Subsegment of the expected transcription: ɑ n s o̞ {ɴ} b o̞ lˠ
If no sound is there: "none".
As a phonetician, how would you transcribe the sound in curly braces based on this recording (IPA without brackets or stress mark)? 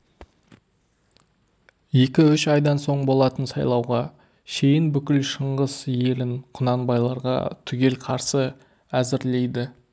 ɴ